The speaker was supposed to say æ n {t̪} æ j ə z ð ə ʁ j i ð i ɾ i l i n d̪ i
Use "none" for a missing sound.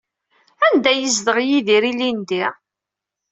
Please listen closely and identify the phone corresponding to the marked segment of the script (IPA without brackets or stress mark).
d̪